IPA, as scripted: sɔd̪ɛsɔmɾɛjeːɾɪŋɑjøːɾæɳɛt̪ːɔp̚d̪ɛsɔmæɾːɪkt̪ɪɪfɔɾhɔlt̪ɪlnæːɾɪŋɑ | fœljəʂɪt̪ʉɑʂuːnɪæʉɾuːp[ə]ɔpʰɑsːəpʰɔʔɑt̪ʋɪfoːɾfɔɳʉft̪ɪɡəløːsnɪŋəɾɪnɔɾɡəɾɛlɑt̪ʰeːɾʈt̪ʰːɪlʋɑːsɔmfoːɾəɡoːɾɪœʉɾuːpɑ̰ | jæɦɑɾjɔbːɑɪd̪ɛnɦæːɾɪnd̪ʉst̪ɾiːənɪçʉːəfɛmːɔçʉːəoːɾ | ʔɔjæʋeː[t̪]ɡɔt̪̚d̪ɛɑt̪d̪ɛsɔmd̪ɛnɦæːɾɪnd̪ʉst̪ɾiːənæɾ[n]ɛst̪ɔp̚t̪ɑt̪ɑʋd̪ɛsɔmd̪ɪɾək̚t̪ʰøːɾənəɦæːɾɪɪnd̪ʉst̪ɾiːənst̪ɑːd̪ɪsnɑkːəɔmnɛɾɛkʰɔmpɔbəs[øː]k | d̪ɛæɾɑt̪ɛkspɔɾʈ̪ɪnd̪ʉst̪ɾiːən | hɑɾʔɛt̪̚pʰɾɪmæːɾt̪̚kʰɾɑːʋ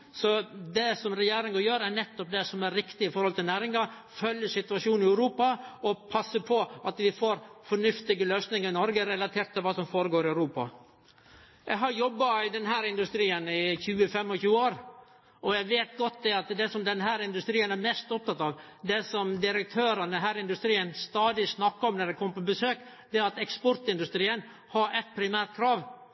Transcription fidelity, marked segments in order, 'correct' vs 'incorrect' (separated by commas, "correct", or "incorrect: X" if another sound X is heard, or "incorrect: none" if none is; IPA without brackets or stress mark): incorrect: ɑ, correct, incorrect: m, correct